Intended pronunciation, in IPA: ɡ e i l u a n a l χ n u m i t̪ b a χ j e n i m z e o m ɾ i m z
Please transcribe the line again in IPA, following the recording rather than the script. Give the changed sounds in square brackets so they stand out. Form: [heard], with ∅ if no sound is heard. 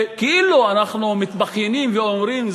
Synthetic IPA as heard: [k] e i l u a n a [∅] χ n u m i t̪ b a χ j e n i m [v] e o m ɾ i m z